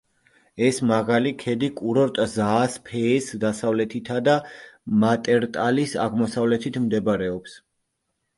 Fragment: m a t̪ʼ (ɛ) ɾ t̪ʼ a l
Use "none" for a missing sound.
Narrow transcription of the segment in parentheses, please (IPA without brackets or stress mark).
ɛ